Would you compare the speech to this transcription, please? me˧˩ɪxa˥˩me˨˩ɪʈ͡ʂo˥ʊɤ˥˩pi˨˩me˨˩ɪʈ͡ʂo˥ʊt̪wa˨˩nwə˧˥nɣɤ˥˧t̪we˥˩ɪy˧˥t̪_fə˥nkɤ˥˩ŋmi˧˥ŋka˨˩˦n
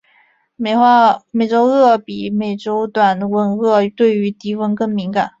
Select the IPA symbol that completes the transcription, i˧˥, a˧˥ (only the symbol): i˧˥